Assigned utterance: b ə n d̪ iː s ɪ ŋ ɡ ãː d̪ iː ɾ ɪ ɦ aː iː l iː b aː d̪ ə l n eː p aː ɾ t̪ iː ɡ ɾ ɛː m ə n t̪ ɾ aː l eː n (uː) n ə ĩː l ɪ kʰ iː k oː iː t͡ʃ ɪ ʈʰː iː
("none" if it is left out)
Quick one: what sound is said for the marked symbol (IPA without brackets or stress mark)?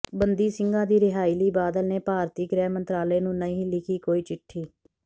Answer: ũː